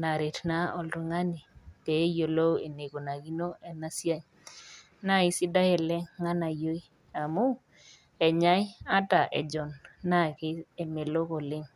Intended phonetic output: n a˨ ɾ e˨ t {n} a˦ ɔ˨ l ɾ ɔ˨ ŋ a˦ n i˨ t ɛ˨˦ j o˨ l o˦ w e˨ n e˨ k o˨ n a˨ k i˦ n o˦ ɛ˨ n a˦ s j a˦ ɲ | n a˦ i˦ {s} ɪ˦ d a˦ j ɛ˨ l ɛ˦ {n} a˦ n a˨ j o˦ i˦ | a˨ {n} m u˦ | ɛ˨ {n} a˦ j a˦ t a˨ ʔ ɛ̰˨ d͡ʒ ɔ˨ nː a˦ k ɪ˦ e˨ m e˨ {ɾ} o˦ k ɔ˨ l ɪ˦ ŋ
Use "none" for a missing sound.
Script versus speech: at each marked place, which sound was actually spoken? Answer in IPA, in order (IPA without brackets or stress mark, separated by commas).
n, s, ŋ, none, ɲ, l